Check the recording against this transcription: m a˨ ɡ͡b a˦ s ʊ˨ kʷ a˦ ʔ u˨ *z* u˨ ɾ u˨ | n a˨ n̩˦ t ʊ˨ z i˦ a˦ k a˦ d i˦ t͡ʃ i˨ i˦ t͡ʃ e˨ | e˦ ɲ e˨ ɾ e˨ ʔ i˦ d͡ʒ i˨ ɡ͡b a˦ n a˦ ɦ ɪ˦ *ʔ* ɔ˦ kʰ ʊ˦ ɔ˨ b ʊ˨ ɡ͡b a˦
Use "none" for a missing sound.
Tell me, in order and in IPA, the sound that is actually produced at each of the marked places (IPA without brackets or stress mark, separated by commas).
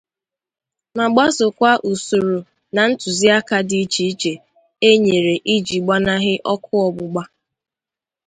s, ʔ